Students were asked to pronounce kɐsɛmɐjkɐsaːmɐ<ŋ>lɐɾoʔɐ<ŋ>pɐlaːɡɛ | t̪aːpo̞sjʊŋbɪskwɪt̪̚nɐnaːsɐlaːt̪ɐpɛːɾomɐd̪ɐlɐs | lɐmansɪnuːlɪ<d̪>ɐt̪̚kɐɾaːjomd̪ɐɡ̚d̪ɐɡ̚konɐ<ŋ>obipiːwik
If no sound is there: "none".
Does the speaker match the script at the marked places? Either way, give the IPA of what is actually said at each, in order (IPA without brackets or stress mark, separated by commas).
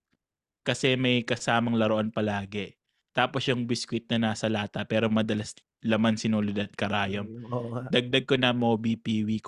ŋ, n, d̪, m